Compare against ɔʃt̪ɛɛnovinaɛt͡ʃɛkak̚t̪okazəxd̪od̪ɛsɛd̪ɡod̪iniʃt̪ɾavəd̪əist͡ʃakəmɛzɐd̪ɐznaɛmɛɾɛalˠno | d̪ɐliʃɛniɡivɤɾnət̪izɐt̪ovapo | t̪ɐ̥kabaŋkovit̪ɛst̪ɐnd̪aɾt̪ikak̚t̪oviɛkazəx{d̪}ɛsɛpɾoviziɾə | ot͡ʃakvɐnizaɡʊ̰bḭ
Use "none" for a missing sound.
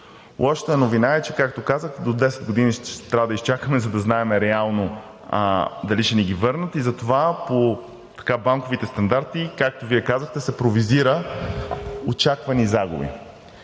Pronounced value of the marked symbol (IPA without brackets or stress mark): t̪